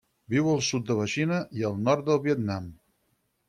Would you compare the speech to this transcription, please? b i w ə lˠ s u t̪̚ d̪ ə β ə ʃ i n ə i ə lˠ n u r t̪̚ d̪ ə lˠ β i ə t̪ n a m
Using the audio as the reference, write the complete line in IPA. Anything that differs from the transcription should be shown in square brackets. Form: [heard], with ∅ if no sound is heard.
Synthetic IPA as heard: b i w ə lˠ s u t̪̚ d̪ ə β ə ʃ i n ə i ə lˠ n [ɔ] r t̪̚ d̪ ə lˠ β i ə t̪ n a m